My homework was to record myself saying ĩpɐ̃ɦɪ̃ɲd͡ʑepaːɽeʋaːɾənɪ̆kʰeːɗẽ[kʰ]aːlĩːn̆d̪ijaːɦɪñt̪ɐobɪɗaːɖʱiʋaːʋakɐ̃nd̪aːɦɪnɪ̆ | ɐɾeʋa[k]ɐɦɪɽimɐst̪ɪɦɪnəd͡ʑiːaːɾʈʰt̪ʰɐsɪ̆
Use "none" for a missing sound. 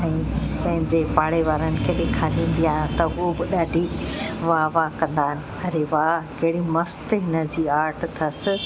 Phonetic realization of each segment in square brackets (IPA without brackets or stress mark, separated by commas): kʰ, k